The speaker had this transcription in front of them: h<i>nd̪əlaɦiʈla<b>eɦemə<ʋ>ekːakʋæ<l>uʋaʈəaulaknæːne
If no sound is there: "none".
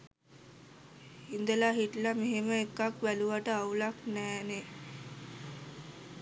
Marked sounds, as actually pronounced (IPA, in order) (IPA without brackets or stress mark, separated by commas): i, m, none, l